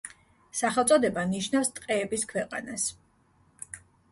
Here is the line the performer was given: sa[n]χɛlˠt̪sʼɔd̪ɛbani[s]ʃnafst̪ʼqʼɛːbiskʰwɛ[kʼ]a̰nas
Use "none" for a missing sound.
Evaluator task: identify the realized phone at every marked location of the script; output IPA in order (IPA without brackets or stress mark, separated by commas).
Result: none, none, qʼ